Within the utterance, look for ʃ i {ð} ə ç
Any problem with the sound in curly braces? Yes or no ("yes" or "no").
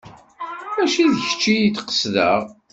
no